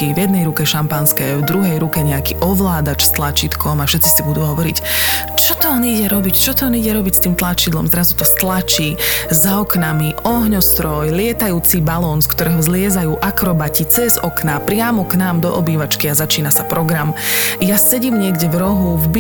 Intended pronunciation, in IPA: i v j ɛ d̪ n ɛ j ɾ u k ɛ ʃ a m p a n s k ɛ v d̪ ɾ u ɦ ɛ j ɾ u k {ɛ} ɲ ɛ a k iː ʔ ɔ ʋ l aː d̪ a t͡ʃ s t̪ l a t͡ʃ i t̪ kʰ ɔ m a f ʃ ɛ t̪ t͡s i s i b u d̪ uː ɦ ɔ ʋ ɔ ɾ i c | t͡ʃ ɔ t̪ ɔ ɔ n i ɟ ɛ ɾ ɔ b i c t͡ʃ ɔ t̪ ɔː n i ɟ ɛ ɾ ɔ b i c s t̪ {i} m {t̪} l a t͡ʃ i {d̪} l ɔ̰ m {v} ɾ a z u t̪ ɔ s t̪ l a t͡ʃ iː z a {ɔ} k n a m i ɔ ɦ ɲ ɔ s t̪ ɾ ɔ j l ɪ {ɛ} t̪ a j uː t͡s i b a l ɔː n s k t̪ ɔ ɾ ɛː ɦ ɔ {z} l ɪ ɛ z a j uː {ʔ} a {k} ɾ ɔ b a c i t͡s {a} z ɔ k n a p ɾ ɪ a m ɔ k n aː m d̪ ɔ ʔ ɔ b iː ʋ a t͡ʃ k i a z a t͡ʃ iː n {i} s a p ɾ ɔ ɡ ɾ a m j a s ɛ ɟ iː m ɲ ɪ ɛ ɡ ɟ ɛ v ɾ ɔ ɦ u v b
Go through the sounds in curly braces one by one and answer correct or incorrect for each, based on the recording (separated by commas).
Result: correct, incorrect, correct, correct, incorrect, correct, correct, correct, correct, correct, incorrect, incorrect